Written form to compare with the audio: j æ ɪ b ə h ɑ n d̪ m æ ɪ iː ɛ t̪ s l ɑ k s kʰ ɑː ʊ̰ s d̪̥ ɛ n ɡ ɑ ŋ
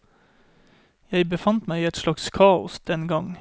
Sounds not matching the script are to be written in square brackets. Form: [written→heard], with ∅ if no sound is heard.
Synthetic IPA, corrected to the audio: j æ ɪ b ə [h→f] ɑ n [d̪→t̪] m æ ɪ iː ɛ t̪ [s→ʃ] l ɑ k s kʰ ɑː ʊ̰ s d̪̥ ɛ n ɡ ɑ ŋ